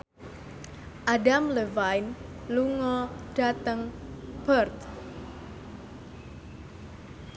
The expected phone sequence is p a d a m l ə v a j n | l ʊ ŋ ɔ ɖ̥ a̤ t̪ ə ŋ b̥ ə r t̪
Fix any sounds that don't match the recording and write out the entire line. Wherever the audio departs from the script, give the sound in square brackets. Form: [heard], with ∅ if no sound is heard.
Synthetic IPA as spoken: [ʔ] a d a m l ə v a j n | l [u] ŋ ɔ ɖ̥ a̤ t̪ ə ŋ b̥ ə r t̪